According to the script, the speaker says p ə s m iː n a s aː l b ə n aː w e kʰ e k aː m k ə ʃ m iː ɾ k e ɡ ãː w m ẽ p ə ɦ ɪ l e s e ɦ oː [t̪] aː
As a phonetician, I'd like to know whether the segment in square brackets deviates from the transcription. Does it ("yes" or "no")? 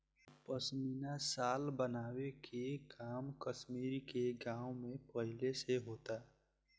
no